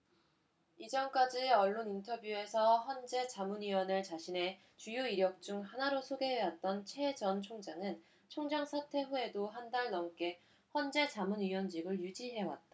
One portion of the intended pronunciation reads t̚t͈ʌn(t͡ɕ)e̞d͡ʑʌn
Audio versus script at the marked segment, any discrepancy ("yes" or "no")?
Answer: yes